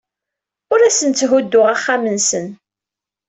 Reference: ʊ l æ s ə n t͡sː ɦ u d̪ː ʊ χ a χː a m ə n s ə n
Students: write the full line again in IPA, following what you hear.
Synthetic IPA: ʊ ɾ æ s ə n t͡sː ɦ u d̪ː ʊ ʁ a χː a m ə n s ə n